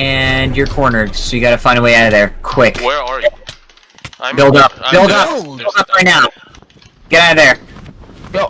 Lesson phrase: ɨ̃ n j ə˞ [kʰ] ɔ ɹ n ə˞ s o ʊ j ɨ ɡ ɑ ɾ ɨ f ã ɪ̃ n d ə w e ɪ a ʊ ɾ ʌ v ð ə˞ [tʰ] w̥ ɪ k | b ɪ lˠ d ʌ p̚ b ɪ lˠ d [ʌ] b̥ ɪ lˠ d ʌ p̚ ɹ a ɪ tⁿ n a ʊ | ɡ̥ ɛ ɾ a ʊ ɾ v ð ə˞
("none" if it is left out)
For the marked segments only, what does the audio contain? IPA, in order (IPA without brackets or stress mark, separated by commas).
kʰ, kʰ, ʌ